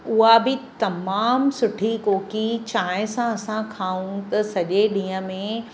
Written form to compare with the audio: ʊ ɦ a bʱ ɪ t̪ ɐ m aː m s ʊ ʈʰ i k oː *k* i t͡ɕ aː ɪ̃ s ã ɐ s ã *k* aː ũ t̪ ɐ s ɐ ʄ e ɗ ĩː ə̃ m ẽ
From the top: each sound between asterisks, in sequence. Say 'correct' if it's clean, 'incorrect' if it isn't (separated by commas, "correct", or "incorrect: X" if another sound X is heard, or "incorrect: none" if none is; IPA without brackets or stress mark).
correct, incorrect: kʰ